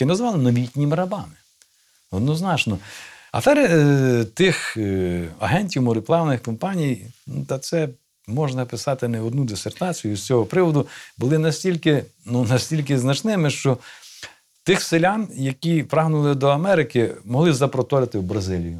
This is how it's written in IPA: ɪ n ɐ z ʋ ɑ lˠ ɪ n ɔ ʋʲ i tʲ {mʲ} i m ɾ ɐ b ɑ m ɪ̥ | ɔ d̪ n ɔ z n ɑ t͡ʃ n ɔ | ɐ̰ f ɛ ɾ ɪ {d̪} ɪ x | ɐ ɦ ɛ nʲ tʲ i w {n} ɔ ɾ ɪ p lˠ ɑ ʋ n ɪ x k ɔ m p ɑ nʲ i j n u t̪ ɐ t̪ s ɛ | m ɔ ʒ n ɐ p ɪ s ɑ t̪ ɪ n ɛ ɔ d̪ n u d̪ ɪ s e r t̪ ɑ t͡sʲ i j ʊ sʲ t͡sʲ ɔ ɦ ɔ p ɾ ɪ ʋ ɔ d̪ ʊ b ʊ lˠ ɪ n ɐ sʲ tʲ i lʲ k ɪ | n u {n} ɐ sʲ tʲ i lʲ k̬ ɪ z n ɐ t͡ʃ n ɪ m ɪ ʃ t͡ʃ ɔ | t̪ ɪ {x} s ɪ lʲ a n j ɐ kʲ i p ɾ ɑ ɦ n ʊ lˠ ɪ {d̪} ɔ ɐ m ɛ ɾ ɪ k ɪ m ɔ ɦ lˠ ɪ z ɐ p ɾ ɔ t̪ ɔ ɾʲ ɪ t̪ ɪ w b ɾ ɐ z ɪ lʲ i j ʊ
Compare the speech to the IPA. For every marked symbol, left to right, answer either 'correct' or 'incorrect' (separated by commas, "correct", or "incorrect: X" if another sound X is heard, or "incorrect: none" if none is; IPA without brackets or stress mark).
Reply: incorrect: nʲ, incorrect: t̪, incorrect: m, correct, correct, correct